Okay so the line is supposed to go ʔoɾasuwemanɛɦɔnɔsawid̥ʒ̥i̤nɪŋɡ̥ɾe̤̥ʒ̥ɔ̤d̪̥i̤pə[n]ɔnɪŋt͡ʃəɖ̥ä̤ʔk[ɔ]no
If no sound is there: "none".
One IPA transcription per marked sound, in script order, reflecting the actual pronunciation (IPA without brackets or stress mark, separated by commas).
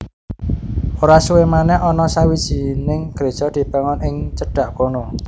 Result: ŋ, o